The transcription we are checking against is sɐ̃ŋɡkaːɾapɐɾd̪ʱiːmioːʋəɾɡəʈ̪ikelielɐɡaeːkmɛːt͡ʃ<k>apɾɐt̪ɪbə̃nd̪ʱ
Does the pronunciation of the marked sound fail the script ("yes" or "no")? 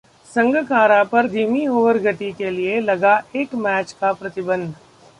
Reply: no